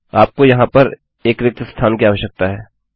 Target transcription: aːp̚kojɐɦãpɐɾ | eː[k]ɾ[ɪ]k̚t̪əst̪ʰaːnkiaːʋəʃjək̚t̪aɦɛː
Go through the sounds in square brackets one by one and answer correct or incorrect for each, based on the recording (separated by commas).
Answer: correct, correct